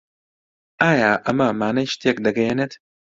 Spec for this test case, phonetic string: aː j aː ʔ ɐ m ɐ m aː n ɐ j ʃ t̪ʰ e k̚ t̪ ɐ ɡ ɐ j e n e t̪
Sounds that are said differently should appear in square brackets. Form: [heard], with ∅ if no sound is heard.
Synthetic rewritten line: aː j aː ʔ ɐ m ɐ m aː n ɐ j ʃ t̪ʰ e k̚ [d̪] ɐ ɡ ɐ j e n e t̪